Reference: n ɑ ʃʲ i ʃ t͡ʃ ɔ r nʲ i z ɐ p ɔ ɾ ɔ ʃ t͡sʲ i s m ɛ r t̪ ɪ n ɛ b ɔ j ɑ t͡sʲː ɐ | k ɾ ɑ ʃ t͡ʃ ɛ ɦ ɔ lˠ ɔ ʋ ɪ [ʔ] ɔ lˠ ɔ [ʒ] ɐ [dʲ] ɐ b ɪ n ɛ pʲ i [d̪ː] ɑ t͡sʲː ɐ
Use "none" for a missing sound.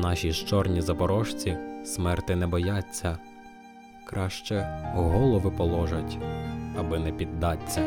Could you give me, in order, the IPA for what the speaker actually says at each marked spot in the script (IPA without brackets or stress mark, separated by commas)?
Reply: p, ʒ, tʲ, d̪ː